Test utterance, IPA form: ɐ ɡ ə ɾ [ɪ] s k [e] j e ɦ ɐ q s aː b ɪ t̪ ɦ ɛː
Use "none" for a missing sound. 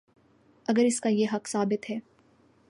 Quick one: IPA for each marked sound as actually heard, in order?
ɪ, a

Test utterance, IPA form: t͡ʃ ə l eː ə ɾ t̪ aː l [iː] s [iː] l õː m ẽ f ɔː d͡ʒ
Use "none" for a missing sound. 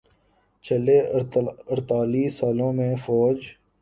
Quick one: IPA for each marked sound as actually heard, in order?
iː, aː

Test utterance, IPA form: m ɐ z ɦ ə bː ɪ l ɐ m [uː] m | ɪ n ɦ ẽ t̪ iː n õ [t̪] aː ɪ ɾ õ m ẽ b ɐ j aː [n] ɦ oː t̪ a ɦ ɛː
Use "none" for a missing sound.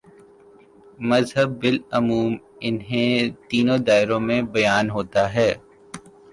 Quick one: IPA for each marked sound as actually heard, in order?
uː, d̪, n

